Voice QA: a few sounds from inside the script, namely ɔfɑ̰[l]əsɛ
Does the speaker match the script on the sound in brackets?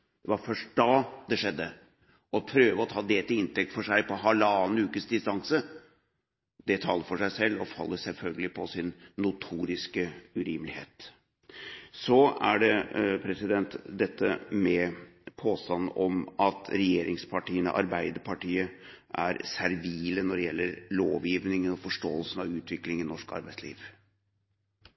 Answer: no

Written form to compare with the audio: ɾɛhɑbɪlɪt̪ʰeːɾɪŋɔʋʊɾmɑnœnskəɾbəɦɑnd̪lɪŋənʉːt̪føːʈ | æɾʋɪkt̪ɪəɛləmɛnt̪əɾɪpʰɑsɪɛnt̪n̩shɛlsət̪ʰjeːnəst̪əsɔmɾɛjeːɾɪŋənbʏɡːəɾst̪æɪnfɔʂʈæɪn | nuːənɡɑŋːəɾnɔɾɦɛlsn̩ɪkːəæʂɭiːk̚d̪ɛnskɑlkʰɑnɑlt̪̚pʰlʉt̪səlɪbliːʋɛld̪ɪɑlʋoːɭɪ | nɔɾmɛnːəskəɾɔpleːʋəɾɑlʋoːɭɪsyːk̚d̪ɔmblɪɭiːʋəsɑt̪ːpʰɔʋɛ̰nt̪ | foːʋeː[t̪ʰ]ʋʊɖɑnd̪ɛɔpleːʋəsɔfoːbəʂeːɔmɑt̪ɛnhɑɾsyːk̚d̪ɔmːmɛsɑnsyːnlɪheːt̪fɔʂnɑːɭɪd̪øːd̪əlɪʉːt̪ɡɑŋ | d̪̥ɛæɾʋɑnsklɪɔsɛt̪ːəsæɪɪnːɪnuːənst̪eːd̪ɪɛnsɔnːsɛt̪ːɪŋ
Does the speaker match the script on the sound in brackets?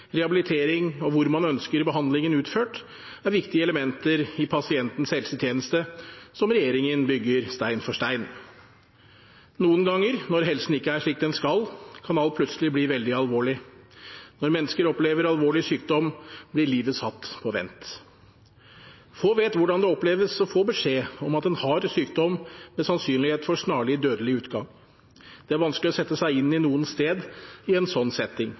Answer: no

